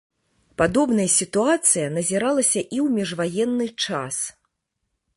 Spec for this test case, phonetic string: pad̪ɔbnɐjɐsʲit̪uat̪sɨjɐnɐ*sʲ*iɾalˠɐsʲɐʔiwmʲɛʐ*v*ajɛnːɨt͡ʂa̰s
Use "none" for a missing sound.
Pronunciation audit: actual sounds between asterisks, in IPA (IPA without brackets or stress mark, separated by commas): zʲ, v